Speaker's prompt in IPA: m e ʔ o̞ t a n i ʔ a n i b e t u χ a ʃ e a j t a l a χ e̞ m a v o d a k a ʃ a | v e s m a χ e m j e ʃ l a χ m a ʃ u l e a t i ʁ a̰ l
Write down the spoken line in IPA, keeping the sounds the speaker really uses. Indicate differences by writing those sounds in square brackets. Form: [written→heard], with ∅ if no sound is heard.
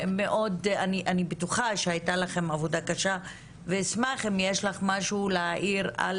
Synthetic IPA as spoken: m e ʔ o̞ [t→d] a n i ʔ a n i b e t u χ a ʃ e a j t a l a χ e̞ m a v o d a k a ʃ a | v e s m a χ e m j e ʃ l a χ m a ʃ u l e a [t→ʔ] i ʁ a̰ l